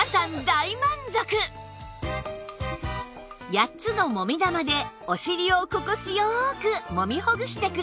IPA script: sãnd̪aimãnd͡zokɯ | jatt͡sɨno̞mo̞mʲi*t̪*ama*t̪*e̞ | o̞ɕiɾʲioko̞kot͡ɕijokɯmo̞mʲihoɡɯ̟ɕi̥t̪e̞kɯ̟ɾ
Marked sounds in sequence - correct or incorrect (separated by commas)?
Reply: incorrect, incorrect